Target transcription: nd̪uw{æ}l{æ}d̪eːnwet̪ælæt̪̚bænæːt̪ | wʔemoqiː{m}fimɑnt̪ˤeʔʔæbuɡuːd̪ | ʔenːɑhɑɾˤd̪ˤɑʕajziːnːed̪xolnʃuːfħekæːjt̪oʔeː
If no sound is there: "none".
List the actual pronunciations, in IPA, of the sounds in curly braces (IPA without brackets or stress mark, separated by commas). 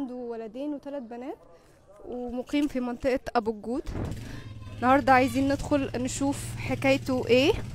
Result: æ, æ, m